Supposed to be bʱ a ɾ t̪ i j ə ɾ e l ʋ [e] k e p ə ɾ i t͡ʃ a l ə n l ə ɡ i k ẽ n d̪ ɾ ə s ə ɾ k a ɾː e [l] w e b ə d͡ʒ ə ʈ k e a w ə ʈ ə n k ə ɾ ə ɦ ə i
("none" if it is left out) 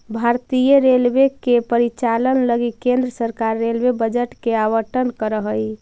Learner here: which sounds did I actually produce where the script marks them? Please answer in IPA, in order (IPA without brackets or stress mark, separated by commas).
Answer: e, l